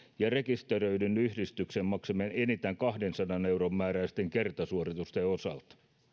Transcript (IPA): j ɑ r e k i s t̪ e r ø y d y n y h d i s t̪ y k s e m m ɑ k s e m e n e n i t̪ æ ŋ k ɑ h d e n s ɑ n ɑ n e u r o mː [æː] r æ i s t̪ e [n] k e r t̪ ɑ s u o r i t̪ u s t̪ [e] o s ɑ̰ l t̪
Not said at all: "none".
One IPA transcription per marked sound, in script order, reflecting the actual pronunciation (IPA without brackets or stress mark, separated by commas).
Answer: æː, ŋ, e